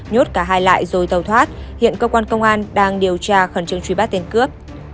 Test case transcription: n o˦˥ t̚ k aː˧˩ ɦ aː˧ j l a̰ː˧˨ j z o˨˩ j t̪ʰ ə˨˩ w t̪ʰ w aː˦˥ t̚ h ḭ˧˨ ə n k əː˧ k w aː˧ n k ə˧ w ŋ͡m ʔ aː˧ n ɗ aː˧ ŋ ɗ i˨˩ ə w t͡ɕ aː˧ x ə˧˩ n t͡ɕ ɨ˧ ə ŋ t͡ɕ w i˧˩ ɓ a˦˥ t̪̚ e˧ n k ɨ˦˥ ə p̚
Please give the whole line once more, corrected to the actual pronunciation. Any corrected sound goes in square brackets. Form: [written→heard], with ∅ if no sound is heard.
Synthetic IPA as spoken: [n→ɲ] o˦˥ t̚ k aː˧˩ ɦ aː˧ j l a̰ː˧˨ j z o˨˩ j [t̪ʰ→t̪] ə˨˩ w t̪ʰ w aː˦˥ t̚ h ḭ˧˨ ə n k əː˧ k w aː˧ n k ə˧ w ŋ͡m ʔ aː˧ n ɗ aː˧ ŋ ɗ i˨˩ ə w t͡ɕ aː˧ x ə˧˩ n t͡ɕ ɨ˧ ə ŋ t͡ɕ w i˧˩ ɓ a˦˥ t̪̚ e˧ n k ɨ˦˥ ə p̚